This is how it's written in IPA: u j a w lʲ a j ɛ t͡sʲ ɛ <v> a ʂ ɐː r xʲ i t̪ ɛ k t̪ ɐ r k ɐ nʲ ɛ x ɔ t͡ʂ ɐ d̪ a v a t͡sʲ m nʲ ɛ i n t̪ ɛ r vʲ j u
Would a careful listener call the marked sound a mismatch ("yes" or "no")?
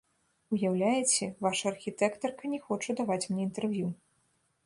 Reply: no